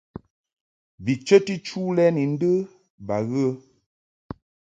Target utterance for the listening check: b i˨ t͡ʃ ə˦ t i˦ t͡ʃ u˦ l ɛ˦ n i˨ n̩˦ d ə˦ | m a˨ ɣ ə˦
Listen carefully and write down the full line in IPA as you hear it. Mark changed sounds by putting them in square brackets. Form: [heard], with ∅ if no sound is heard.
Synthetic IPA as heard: b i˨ t͡ʃ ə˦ t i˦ t͡ʃ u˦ l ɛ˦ n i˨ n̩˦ d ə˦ | [b] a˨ ɣ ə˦